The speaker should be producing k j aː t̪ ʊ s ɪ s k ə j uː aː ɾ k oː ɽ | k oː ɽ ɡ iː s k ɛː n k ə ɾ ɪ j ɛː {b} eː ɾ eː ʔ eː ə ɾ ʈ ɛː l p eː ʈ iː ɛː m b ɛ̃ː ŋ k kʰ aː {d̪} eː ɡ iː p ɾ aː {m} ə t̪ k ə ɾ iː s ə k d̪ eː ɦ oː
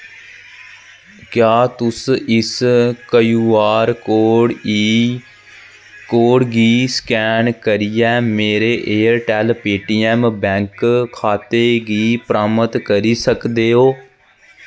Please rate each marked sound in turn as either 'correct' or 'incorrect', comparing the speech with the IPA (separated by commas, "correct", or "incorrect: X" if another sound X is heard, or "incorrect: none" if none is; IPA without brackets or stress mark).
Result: incorrect: m, incorrect: t̪, correct